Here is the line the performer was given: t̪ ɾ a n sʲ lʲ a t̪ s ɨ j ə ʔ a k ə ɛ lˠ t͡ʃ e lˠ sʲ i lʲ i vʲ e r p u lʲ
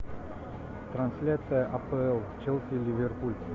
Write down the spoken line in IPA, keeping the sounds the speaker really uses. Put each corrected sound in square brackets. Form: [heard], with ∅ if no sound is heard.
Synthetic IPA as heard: t̪ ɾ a n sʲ lʲ a t̪ s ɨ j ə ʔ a [p] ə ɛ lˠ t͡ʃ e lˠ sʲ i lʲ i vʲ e r p u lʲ